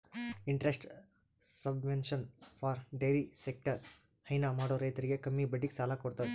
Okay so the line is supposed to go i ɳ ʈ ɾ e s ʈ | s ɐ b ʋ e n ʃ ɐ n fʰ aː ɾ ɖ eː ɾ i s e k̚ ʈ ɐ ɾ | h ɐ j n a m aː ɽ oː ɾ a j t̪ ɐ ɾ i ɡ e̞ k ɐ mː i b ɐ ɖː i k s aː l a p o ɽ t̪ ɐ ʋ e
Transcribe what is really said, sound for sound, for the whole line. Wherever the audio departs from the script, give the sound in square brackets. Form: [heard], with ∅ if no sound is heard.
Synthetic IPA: i ɳ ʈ ɾ e s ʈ | s ɐ b ʋ e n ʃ ɐ n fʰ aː ɾ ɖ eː ɾ i s e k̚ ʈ ɐ ɾ | h ɐ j n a m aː ɽ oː ɾ [ɐ] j t̪ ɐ ɾ i ɡ e̞ k ɐ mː i b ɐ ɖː i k s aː l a [k] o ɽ t̪ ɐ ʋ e